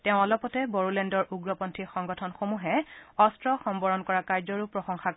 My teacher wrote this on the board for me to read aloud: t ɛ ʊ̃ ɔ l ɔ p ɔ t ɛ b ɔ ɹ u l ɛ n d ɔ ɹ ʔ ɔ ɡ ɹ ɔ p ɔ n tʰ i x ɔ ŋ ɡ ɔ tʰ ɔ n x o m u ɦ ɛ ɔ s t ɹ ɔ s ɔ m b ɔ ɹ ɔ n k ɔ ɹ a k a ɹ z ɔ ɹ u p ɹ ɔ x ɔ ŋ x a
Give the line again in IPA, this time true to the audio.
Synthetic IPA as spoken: t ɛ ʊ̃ ɔ l ɔ p ɔ t ɛ b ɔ ɹ u l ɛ n d ɔ ɹ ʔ u ɡ ɹ ɔ p ɔ n tʰ i x ɔ ŋ ɡ ɔ tʰ ɔ n x o m u ɦ ɛ ɔ s t ɹ ɔ x ɔ m b ɔ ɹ ɔ n k ɔ ɹ a k a ɹ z ɔ ɹ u p ɹ ɔ x ɔ ŋ x a